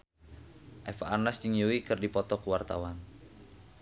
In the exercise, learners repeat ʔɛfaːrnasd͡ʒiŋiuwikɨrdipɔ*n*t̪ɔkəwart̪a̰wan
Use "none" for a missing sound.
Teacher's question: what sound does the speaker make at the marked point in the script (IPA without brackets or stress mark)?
none